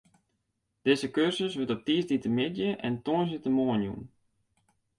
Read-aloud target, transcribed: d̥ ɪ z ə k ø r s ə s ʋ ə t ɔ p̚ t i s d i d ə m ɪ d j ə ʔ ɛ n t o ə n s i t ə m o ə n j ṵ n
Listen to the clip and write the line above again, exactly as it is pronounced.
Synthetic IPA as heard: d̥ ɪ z ə k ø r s ə s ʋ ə t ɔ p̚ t i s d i t ə m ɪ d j ə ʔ ɛ n t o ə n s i t ə m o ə n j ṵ n